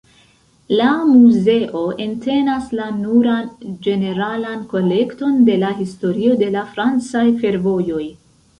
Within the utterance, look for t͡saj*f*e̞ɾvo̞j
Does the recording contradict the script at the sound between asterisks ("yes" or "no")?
no